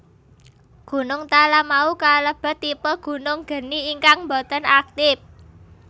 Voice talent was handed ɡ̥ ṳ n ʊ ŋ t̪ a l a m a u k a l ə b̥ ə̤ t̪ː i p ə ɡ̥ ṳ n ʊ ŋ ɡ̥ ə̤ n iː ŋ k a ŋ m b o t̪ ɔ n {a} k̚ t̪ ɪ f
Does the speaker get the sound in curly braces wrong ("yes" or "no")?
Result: no